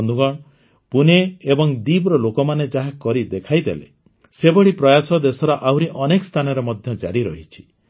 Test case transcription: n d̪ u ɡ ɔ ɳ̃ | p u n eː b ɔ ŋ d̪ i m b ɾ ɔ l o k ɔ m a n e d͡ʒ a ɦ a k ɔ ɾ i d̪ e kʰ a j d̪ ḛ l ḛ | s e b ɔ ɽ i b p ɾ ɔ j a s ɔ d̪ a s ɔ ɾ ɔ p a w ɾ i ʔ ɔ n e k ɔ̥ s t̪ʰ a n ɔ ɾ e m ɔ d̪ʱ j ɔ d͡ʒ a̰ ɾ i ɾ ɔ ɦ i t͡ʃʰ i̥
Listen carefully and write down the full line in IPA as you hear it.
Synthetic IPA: n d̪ u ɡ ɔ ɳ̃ | p u n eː b ɔ ŋ d̪ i b ɾ ɔ l o k ɔ m a n e d͡ʒ a ɦ a k ɔ ɾ i d̪ e kʰ a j d̪ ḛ l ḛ | s e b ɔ ɽ i p ɾ ɔ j a s ɔ d̪ e s ɔ ɾ ɔ ʔ a w ɾ i ʔ ɔ n e k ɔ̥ s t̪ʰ a n ɔ ɾ e m ɔ d̪ʱ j ɔ d͡ʒ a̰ ɾ i ɾ ɔ ɦ i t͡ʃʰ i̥